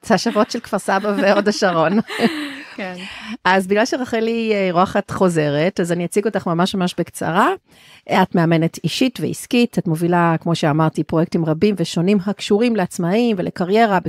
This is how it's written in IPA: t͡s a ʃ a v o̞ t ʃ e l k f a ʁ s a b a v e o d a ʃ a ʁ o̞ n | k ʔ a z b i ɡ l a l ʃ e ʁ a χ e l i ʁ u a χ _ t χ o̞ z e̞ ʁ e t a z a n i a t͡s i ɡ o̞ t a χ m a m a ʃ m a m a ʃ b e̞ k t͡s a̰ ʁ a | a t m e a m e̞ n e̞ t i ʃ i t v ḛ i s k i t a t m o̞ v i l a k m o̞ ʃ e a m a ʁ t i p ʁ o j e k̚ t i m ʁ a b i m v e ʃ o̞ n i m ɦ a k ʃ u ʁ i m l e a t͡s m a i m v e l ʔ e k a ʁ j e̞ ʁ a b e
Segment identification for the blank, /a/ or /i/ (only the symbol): a